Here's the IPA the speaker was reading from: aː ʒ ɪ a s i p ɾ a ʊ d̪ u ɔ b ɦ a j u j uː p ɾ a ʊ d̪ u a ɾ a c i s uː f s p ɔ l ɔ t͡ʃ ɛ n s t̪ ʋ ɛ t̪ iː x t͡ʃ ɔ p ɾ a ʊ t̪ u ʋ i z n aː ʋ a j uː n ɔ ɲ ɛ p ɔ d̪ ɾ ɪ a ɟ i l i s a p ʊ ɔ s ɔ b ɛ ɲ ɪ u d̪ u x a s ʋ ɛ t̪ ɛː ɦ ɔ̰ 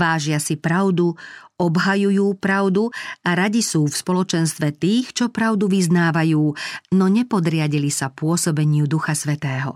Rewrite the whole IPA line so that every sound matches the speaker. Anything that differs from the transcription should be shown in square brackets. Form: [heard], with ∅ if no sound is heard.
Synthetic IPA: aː ʒ ɪ a s i p ɾ a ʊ d̪ u ɔ b ɦ a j u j uː p ɾ a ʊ d̪ u a ɾ a [ɟ] i s uː f s p ɔ l ɔ t͡ʃ ɛ n s t̪ ʋ ɛ t̪ iː x t͡ʃ ɔ p ɾ a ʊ [d̪] u ʋ i z n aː ʋ a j uː n ɔ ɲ ɛ p ɔ d̪ ɾ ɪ a ɟ i l i s a p ʊ ɔ s ɔ b ɛ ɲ ɪ u d̪ u x a s ʋ ɛ t̪ ɛː ɦ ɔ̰